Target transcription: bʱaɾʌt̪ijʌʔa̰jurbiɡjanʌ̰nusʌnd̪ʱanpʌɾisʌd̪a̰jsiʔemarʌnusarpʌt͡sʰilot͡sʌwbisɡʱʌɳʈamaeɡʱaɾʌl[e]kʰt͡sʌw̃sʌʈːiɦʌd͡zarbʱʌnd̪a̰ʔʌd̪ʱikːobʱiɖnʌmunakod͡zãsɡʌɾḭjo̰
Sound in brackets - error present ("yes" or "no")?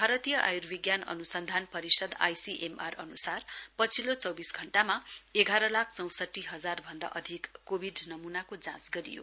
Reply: yes